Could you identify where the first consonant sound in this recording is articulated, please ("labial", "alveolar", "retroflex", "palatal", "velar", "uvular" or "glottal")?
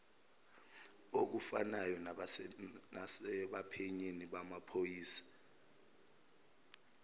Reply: velar